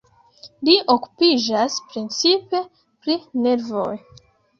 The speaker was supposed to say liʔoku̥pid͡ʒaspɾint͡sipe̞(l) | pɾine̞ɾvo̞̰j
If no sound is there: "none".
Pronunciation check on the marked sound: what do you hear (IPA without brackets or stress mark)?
none